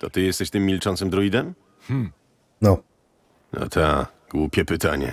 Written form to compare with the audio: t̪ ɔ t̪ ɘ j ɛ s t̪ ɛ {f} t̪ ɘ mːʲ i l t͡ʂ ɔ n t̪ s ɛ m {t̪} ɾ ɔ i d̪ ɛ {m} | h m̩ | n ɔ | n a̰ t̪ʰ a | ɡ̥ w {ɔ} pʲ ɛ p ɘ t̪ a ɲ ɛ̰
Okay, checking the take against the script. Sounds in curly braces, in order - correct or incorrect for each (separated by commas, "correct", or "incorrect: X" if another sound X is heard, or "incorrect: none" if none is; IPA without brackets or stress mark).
incorrect: ɕ, incorrect: d̪, correct, incorrect: u